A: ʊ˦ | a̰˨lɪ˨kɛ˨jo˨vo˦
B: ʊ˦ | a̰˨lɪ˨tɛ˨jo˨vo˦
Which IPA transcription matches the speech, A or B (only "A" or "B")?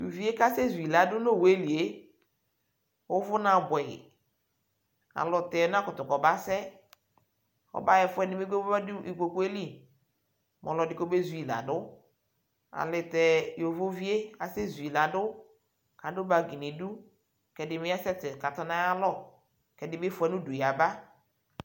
B